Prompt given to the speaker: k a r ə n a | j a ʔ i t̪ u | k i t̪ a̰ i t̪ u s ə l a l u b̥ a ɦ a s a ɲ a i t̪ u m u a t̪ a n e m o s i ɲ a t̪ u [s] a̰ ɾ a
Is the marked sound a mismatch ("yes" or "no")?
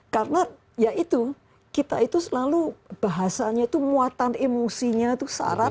no